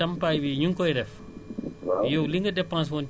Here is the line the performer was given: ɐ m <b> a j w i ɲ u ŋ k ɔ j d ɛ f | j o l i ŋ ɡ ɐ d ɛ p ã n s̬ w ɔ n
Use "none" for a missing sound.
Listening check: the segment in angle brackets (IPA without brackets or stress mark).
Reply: p